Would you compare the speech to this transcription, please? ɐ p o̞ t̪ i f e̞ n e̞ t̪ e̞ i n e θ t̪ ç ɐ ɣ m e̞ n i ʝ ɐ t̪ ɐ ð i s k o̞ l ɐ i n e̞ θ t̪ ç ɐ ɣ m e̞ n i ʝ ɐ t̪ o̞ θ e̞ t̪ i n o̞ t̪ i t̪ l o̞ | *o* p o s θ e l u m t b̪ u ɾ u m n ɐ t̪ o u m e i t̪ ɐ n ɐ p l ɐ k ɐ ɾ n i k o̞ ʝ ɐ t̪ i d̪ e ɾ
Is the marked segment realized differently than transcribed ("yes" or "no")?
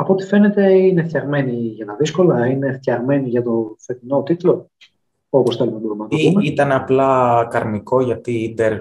no